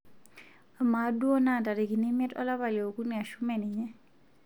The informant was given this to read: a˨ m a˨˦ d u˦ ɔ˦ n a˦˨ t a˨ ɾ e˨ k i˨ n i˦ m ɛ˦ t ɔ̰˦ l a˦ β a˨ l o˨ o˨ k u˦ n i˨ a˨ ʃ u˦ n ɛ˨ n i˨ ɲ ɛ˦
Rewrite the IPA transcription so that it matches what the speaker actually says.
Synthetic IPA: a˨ m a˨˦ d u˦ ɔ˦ n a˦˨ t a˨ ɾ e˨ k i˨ n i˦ m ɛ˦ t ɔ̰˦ l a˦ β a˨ l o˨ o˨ k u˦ n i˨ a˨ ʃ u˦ m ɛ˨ n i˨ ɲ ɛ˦